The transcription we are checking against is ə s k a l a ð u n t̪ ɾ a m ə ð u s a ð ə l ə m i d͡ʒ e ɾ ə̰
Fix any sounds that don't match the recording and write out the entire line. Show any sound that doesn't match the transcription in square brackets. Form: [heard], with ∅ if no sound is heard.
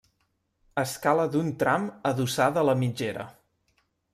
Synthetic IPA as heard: ə s k a l [ə] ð u n t̪ ɾ a m ə ð u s a ð ə l ə m i d͡ʒ e ɾ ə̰